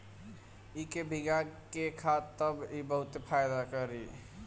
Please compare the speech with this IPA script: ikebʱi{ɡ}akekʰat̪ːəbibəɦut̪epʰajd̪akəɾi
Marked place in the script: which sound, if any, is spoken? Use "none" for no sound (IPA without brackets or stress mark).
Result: ɡ